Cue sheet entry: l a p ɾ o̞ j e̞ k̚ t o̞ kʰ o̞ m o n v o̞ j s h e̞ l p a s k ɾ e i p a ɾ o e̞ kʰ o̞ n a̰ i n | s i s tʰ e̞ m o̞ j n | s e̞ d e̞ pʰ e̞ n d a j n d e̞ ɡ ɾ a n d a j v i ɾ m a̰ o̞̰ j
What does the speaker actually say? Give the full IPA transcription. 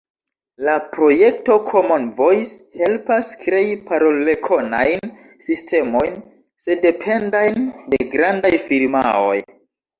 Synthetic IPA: l a p ɾ o̞ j e̞ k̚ t o̞ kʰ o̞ m o n v o̞ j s h e̞ l p a s k ɾ e i p a ɾ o e̞ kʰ o̞ n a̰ j n | s i s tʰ e̞ m o̞ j n | s e̞ d e̞ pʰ e̞ n d a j n d e̞ ɡ ɾ a n d a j f i ɾ m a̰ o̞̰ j